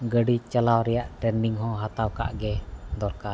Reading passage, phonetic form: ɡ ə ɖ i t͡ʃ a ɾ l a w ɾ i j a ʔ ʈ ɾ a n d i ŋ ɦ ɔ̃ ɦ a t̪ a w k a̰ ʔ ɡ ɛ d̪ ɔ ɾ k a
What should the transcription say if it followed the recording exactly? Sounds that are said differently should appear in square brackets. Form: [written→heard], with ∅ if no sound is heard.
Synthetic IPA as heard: ɡ ə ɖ i t͡ʃ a [ɾ→∅] l a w ɾ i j a ʔ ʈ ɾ [a→ɛ] n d i ŋ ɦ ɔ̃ ɦ a t̪ a w k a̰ ʔ ɡ ɛ d̪ ɔ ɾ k a